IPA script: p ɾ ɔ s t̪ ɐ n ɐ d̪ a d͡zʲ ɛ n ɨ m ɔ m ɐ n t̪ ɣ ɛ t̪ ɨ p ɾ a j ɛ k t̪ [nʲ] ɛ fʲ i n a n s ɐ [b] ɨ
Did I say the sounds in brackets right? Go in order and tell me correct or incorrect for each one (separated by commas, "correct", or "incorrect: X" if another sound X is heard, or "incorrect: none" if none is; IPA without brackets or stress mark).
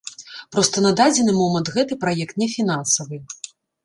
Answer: correct, incorrect: v